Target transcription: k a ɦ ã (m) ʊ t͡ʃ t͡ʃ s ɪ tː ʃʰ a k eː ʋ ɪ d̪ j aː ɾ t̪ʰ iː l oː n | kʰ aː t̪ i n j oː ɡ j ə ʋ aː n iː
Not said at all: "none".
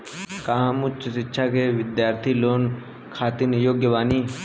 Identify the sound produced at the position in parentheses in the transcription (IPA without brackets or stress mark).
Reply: m